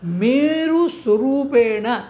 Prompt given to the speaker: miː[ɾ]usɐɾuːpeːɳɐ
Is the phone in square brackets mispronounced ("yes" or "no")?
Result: no